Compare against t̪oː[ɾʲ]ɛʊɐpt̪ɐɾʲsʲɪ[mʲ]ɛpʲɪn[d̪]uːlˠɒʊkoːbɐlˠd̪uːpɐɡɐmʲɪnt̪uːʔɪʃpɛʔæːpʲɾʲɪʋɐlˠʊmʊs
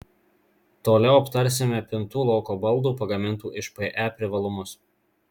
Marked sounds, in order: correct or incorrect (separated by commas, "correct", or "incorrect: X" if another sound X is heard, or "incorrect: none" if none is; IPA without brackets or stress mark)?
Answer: incorrect: lʲ, correct, incorrect: t̪